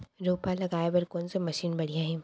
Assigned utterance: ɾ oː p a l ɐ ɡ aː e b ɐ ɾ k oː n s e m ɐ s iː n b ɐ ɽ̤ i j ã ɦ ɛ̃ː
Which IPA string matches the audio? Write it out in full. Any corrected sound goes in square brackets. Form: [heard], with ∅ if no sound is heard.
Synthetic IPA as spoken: ɾ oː p a l ɐ ɡ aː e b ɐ ɾ k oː n s e m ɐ [ʃ] iː n b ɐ ɽ̤ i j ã ɦ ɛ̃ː

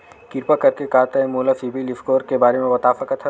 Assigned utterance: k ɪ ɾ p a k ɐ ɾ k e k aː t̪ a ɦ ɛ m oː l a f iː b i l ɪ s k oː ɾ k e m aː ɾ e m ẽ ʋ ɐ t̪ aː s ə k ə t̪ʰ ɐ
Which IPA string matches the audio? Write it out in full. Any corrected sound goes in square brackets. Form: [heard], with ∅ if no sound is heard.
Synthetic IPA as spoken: k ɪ ɾ p a k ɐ ɾ k e k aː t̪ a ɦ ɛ m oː l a f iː b i l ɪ [f] k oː ɾ k e [b] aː ɾ e m ẽ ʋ ɐ t̪ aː [f] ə k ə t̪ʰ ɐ

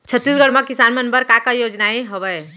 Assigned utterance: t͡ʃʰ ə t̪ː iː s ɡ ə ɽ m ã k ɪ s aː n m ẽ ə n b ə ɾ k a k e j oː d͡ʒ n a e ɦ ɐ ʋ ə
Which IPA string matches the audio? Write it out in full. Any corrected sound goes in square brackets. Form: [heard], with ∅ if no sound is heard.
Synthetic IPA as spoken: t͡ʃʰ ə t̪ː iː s ɡ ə ɽ m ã k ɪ s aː n m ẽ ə n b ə ɾ k a k [a] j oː d͡ʒ n a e ɦ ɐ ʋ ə

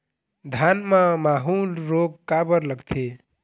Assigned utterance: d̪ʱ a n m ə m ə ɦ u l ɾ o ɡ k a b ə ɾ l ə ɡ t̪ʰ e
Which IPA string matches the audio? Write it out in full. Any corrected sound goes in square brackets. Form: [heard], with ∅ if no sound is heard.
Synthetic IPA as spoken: d̪ʱ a n m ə m [a] ɦ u l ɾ o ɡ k a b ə ɾ l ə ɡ t̪ʰ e

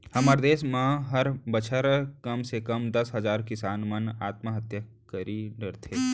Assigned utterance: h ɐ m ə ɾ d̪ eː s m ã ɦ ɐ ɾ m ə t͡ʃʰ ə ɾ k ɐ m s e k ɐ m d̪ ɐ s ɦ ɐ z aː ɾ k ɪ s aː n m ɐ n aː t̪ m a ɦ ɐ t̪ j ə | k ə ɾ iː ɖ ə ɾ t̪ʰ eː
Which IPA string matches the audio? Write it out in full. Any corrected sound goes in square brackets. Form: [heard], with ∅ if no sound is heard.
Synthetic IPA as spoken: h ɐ m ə ɾ d̪ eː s m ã ɦ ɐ ɾ [b] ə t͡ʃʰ ə ɾ k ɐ m s e k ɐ m d̪ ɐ s ɦ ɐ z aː ɾ k ɪ s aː n m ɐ n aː t̪ m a ɦ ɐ t̪ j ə | k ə ɾ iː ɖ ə ɾ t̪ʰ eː

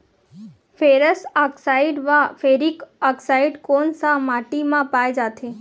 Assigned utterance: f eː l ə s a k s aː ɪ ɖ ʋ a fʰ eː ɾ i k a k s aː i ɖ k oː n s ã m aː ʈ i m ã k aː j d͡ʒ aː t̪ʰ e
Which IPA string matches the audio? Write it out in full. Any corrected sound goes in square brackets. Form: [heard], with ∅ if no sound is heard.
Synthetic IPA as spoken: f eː [ɾ] ə s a k s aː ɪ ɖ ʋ a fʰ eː ɾ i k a k s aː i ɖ k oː n s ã m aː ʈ i m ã [p] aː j d͡ʒ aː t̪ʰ e

